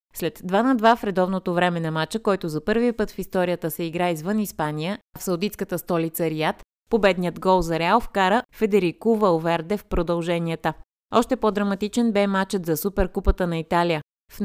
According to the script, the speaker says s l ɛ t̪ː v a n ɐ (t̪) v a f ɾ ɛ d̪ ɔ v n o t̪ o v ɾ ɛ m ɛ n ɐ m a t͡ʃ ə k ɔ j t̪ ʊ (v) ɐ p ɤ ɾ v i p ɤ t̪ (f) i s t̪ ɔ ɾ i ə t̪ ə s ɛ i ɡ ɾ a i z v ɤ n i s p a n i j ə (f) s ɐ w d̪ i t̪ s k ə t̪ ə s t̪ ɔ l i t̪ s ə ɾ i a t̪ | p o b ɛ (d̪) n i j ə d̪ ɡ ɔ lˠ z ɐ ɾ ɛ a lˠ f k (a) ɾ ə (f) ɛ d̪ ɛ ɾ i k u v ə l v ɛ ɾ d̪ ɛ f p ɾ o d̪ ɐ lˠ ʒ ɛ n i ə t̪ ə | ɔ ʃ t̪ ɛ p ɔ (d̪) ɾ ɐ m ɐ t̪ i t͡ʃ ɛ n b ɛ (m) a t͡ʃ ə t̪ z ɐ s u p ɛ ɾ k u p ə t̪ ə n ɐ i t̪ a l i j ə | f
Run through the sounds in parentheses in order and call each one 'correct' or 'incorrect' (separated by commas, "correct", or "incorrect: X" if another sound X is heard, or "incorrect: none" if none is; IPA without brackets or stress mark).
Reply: incorrect: d̪, incorrect: z, correct, correct, correct, correct, correct, correct, correct